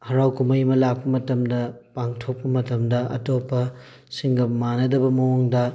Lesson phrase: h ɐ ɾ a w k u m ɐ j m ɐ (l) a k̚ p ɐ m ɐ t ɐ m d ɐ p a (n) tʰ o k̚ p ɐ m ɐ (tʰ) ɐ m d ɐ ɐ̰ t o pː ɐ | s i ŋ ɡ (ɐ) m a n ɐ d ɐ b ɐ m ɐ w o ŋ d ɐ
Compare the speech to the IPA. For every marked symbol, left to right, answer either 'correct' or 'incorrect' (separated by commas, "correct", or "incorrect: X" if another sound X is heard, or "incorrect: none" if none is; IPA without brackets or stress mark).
correct, incorrect: ŋ, incorrect: t, correct